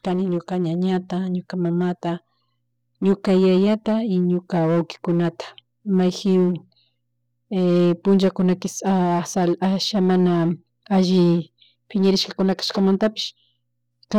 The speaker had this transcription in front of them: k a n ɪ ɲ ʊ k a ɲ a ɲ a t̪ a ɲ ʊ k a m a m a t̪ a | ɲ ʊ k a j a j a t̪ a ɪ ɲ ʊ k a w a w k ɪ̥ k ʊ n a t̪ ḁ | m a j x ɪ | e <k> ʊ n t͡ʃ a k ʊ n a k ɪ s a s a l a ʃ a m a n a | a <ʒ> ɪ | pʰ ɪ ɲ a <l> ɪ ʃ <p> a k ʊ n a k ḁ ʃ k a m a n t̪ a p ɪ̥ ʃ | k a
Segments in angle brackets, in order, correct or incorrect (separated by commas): incorrect, correct, incorrect, incorrect